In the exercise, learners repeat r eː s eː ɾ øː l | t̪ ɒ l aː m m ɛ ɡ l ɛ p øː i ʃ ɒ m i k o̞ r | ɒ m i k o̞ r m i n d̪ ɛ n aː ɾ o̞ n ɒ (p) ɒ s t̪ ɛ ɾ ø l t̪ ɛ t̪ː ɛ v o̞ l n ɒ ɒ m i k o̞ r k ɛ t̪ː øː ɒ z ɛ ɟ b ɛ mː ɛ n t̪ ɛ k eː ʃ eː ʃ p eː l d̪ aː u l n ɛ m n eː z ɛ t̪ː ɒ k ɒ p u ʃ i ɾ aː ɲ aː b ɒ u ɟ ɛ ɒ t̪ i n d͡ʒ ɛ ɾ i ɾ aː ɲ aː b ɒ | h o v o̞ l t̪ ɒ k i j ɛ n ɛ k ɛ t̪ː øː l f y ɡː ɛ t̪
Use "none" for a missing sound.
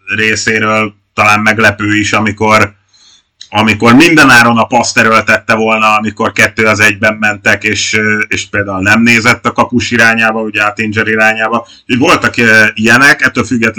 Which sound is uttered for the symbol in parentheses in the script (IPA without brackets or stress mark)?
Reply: p